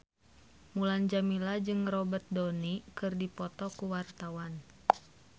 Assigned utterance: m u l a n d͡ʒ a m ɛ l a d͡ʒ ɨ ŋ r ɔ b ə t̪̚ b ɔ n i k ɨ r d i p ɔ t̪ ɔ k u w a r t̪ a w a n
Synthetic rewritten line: m u l a n d͡ʒ a m i l a d͡ʒ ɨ ŋ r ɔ b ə t̪̚ d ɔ n i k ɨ r d i p ɔ t̪ ɔ k u w a r t̪ a w a n